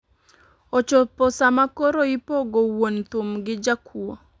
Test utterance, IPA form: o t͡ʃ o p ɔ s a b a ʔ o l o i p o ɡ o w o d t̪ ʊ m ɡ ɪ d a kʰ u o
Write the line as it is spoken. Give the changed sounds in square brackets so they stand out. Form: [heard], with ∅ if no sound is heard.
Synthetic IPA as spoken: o t͡ʃ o p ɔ s a [m] a [k] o [ɾ] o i p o ɡ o w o [n] t̪ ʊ m ɡ ɪ [d͡ʒ] a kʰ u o